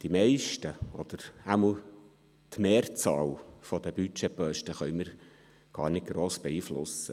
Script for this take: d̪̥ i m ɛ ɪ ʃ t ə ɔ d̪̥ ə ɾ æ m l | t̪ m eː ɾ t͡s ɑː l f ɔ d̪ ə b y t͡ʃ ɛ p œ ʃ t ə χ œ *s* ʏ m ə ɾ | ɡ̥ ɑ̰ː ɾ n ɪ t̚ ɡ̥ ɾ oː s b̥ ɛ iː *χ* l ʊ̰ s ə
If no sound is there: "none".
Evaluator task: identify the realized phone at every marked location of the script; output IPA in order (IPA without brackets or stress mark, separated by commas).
none, f